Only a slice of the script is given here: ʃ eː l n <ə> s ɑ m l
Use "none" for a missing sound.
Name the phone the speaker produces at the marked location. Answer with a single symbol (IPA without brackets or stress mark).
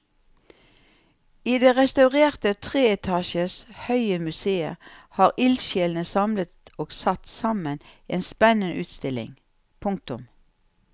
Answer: ə